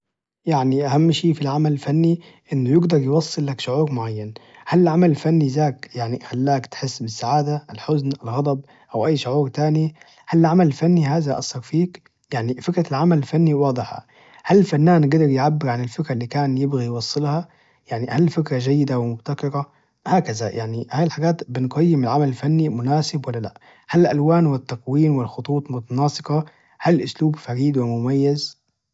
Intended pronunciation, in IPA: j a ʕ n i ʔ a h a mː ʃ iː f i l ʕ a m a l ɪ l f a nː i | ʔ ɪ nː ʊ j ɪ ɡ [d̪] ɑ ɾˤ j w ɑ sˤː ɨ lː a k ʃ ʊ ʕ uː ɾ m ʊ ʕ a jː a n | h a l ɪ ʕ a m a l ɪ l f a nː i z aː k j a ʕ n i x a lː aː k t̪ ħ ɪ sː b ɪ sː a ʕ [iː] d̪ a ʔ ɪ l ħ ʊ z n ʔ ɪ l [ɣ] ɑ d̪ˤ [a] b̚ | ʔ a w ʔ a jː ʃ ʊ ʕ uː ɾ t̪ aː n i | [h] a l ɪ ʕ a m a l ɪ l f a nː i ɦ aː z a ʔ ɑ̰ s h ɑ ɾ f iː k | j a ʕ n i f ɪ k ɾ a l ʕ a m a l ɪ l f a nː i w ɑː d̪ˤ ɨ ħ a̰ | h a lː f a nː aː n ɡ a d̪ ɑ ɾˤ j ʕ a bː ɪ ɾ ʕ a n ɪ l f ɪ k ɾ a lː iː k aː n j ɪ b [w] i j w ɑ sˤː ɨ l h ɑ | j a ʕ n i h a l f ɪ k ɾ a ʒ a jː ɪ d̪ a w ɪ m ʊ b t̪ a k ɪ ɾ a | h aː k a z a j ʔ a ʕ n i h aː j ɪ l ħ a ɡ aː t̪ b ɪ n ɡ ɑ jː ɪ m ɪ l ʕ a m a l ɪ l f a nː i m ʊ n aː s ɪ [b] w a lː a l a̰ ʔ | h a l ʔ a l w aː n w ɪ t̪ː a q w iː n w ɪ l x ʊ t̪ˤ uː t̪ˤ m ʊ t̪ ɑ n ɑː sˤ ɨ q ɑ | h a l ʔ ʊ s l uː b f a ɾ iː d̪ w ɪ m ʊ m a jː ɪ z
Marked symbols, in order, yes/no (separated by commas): yes, no, yes, no, yes, no, yes